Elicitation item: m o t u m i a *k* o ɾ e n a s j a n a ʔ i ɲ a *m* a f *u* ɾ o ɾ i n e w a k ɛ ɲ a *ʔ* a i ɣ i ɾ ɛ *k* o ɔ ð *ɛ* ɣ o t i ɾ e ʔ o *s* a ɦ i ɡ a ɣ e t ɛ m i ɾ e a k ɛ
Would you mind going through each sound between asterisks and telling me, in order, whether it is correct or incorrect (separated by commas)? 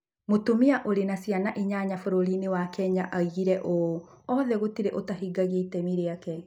incorrect, incorrect, incorrect, correct, incorrect, correct, incorrect